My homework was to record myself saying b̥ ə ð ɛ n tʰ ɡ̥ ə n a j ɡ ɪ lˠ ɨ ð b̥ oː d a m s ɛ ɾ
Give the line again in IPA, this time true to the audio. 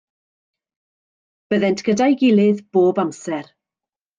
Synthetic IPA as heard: b̥ ə ð ɛ n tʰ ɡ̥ ə d a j ɡ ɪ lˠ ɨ ð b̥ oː b a m s ɛ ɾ